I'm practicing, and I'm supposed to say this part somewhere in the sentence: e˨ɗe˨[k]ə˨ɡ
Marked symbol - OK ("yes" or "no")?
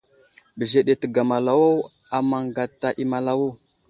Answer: no